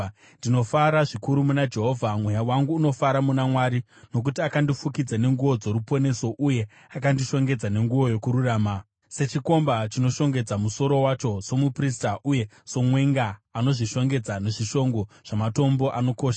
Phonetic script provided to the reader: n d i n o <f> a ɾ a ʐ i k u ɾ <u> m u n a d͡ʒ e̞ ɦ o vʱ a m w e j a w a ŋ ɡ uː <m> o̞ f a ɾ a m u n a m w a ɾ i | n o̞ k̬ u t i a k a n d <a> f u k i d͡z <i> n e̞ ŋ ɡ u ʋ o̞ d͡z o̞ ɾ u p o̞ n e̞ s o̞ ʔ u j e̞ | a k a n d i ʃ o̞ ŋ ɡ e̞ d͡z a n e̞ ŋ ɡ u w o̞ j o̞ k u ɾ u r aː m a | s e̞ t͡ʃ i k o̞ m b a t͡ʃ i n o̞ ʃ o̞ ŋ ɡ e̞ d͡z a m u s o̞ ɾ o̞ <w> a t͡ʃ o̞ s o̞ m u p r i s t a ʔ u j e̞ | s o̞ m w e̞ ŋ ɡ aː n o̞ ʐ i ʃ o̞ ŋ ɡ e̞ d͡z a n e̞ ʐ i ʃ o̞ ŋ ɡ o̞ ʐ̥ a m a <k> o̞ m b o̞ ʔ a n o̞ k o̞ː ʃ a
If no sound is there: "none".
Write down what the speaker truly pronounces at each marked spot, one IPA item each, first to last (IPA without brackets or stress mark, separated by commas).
f, u, n, i, a, w, t